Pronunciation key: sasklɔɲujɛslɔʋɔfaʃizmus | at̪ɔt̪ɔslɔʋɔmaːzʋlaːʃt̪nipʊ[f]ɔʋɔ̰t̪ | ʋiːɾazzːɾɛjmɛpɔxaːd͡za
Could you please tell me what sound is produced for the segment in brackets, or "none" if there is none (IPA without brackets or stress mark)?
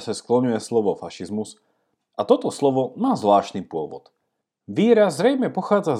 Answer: none